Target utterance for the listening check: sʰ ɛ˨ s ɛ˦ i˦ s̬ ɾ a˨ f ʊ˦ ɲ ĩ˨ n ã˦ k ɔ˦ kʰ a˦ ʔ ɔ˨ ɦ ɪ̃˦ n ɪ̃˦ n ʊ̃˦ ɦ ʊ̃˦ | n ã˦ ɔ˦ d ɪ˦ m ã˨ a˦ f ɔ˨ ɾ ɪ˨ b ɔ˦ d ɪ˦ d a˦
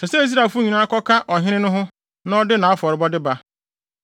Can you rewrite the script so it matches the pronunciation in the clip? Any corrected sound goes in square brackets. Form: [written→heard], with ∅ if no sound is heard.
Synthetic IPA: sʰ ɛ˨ s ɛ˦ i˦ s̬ ɾ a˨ f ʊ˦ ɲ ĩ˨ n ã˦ k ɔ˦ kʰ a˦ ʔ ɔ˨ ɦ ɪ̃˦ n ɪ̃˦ n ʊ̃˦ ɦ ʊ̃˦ | n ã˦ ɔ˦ d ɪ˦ [m→n] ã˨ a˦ f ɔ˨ ɾ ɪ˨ b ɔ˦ d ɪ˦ [d→b] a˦